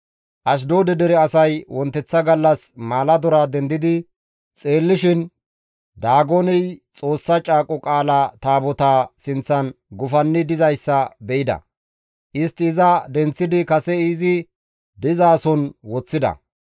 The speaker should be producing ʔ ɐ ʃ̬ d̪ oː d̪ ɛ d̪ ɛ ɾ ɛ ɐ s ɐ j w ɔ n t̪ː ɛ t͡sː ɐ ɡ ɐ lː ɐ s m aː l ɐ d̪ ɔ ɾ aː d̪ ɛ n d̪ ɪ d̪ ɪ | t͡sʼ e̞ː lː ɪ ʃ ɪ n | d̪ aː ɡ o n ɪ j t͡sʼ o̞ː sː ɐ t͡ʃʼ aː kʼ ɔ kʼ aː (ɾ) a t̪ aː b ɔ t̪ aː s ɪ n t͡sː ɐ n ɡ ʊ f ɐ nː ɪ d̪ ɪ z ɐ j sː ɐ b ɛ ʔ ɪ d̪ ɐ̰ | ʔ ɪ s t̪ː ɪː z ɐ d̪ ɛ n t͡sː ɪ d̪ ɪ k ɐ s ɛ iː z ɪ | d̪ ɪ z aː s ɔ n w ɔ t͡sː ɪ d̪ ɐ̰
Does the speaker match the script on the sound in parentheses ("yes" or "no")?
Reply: no